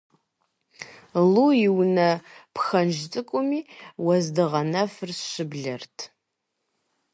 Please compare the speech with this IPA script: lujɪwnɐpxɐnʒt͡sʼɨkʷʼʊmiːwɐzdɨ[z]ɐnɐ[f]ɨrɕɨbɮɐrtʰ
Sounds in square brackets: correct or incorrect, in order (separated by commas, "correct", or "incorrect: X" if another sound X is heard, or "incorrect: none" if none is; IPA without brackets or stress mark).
incorrect: ʁ, correct